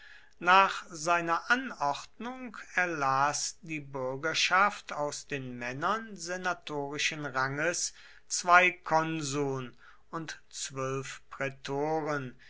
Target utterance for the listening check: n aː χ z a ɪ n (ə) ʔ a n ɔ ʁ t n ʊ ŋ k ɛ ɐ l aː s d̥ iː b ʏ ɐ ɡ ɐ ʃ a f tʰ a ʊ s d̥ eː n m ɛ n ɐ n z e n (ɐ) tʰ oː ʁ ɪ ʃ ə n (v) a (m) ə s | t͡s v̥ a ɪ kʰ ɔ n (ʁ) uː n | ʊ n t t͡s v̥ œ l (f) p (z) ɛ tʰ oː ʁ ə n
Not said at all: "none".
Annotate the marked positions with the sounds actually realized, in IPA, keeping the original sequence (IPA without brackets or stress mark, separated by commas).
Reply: ɐ, a, ʁ, ŋ, z, f, ʁ